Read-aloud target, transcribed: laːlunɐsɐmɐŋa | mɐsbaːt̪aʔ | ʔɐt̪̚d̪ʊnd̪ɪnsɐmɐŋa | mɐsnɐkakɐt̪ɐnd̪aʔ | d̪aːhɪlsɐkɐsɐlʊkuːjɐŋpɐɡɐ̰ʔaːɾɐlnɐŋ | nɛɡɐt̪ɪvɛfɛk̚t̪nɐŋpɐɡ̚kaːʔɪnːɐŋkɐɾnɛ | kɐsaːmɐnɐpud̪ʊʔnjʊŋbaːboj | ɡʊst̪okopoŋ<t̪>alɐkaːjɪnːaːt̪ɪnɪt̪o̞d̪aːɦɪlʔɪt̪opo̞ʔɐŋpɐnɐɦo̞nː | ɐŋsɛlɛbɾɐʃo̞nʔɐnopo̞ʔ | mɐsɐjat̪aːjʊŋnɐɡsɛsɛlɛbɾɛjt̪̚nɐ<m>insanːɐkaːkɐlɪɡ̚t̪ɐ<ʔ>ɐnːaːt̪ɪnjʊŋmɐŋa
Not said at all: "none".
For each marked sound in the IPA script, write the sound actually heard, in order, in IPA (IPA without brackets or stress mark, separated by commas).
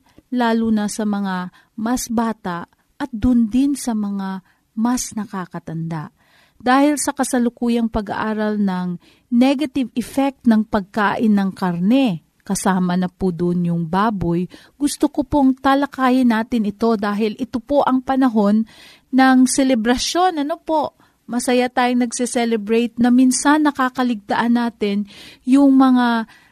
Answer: t̪, m, ʔ